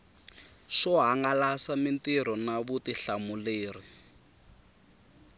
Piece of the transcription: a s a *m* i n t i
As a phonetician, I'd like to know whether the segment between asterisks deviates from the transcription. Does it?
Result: no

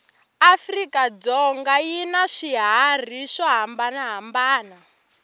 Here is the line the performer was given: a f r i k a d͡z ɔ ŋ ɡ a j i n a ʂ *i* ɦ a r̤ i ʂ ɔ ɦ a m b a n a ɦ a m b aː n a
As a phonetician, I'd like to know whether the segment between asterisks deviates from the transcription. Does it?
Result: no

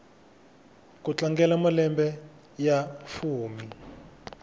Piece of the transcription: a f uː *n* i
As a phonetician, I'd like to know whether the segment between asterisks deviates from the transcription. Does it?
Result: yes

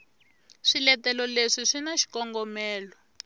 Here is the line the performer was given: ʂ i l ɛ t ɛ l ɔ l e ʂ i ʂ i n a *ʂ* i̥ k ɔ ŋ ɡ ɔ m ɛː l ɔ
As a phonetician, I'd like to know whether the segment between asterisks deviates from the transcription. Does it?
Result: yes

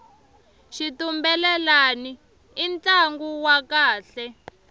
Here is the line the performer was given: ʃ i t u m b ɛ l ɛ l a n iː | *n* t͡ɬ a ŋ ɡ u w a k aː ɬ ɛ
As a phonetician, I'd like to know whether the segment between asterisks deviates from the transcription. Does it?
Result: no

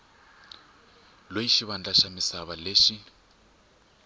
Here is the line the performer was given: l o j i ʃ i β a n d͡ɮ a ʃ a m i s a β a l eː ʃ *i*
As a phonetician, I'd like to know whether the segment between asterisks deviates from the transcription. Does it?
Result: no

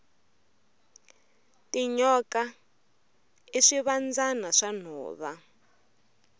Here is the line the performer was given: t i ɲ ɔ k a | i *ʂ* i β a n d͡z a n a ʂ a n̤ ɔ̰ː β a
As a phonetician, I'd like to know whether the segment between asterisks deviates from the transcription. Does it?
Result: no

